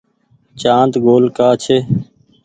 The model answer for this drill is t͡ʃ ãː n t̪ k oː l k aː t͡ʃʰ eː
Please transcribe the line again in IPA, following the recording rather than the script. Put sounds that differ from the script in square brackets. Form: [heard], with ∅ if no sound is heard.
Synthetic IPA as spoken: t͡ʃ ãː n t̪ [ɡ] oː l k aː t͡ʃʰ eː